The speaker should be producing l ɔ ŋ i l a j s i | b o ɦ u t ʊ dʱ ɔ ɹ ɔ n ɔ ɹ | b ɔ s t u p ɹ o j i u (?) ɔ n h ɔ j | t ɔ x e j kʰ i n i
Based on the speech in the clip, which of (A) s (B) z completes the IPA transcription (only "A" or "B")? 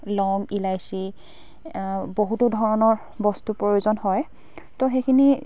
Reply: B